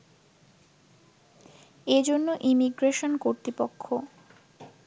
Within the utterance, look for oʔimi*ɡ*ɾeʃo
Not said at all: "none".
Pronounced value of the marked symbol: ɡ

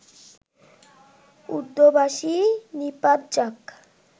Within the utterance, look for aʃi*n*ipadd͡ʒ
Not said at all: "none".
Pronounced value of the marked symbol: n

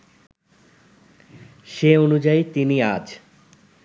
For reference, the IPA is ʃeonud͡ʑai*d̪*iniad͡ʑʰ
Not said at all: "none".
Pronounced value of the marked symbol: t̪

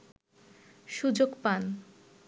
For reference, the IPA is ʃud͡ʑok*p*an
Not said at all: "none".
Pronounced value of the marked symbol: p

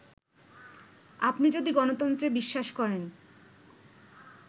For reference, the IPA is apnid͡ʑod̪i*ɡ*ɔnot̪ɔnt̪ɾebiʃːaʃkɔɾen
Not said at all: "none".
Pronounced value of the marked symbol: ɡ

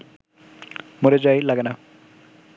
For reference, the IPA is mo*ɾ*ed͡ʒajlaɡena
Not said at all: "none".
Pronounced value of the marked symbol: ɾ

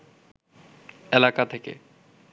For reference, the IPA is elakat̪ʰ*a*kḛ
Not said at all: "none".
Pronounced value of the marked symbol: e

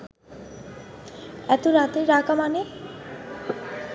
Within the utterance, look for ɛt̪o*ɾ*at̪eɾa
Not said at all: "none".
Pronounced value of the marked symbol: ɾ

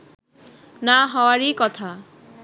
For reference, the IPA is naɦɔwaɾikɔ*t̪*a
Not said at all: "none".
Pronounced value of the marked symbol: t̪ʰ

